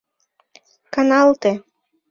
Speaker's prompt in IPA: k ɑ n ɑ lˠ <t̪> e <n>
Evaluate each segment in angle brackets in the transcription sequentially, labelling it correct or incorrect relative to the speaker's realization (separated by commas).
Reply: correct, incorrect